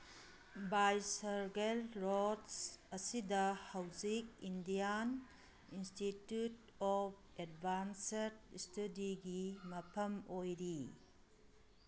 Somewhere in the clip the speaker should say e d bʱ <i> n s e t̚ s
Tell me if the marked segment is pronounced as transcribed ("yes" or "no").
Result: no